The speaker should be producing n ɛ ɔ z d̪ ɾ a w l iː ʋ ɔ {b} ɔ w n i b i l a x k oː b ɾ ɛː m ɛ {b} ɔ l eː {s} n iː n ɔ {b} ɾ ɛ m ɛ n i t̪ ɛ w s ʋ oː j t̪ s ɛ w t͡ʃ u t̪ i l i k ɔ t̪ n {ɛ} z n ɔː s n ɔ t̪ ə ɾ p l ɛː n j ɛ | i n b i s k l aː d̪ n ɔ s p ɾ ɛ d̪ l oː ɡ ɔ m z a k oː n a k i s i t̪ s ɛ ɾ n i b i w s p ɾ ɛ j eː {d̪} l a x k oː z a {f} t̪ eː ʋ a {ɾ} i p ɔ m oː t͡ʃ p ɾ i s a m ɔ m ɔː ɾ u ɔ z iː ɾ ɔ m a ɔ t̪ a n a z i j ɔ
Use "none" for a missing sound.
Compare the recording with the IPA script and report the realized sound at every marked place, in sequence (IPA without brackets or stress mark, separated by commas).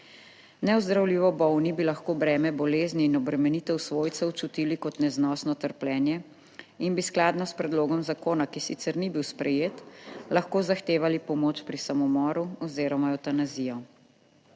b, b, z, b, ɛ, t̪, x, l